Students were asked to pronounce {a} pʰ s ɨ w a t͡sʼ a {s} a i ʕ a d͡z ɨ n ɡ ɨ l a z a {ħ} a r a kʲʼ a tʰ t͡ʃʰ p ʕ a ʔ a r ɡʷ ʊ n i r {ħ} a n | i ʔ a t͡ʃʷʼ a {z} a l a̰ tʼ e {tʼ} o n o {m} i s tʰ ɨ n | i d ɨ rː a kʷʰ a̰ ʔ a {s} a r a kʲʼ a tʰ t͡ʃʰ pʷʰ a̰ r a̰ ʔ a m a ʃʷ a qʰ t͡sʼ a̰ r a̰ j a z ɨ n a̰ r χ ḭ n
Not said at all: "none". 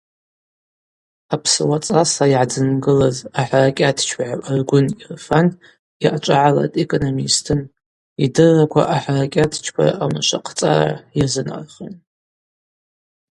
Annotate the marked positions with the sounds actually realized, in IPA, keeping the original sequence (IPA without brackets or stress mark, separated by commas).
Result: a, s, ħ, f, ʕ, kʼ, m, ħ